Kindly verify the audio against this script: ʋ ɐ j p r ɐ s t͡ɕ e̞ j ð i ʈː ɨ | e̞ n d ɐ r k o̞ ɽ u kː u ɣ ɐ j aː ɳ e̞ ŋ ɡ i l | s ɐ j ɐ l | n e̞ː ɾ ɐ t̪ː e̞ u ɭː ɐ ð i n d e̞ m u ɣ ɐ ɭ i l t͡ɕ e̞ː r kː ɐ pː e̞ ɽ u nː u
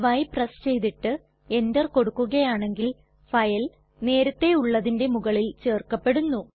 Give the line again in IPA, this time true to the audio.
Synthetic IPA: ʋ ɐ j p r ɐ s t͡ɕ e̞ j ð i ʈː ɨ | e̞ n d ɐ r k o̞ ɽ u kː u ɣ ɐ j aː ɳ e̞ ŋ ɡ i l | f ɐ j ɐ l | n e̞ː ɾ ɐ t̪ː e̞ u ɭː ɐ ð i n d e̞ m u ɣ ɐ ɭ i l t͡ɕ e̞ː r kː ɐ pː e̞ ɽ u nː u